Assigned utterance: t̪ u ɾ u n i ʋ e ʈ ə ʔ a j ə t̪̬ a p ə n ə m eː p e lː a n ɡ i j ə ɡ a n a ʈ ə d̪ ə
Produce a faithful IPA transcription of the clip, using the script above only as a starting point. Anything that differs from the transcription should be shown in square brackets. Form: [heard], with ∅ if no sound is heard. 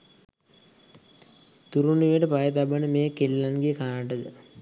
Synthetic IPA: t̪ u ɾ u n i ʋ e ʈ ə [p] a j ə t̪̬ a [b] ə n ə m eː [k] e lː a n ɡ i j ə [k] a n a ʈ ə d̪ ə

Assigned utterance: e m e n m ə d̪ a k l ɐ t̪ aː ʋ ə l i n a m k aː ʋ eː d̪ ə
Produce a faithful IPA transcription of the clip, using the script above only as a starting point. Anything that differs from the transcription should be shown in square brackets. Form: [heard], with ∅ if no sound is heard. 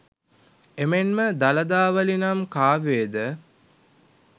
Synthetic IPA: e m e n m ə d̪ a [∅] l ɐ [d̪] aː ʋ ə l i n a m k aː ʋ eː d̪ ə

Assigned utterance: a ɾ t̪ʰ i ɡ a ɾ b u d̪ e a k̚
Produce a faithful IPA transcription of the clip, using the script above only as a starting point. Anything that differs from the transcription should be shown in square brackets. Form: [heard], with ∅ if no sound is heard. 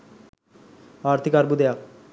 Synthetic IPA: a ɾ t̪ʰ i [k] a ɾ b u d̪ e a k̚

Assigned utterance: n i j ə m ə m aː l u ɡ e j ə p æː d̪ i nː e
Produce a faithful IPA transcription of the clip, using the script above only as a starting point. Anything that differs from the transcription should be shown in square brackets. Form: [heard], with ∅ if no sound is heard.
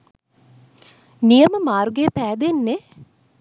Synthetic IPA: n i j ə m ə m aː [ɾ] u ɡ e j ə p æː d̪ [e] nː e

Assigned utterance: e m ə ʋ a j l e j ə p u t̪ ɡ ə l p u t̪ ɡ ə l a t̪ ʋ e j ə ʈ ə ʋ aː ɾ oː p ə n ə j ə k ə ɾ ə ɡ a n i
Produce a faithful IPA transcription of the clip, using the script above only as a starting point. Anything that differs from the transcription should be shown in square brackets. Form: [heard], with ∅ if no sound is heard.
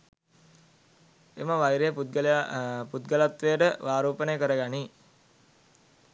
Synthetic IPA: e m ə ʋ a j [ɾ] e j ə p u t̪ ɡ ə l p u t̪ ɡ ə l a t̪ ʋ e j ə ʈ ə ʋ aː ɾ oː p ə n ə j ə k ə ɾ ə ɡ a n i

